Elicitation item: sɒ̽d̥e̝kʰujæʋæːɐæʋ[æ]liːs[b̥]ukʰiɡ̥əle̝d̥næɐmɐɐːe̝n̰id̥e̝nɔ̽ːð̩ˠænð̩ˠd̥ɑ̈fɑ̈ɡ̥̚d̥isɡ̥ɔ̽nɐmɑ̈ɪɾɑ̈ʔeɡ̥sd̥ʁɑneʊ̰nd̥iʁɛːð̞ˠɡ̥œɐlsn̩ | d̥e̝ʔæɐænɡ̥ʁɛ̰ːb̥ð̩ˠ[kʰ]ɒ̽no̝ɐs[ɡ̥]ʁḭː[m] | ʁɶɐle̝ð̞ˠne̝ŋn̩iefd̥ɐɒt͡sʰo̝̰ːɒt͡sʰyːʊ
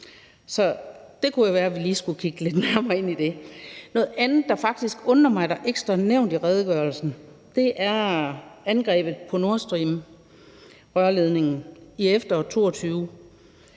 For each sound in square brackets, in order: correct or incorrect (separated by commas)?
incorrect, incorrect, incorrect, incorrect, correct